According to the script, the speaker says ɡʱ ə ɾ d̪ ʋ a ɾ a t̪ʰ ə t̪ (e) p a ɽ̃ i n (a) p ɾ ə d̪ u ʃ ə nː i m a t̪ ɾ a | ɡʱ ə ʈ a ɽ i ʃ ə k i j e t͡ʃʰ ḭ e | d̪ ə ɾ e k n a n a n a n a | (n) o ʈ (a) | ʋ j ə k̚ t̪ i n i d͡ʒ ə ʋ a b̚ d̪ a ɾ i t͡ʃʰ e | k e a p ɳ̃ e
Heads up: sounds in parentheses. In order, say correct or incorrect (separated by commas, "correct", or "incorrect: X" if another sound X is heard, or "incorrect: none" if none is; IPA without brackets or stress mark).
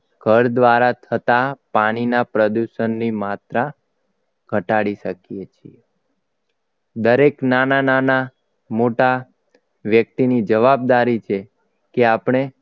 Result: incorrect: a, correct, incorrect: m, correct